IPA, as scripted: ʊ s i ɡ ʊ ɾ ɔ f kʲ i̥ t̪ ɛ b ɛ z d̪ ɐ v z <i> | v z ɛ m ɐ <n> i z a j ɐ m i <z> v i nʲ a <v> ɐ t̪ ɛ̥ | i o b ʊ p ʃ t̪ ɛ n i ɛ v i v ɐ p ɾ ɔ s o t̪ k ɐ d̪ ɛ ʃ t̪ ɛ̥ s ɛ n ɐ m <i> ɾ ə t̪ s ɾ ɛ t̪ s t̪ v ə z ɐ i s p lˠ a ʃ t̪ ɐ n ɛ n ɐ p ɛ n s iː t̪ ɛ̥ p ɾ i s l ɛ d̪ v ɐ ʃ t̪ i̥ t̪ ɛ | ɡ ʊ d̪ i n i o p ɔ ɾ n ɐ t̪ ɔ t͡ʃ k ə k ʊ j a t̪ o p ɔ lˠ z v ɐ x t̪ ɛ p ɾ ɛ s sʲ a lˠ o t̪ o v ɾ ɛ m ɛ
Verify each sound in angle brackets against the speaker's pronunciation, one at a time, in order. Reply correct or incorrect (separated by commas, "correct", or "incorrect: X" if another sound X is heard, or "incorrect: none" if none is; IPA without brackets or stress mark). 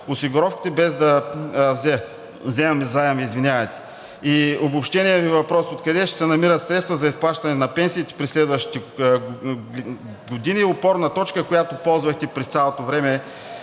incorrect: ɛ, incorrect: m, correct, correct, correct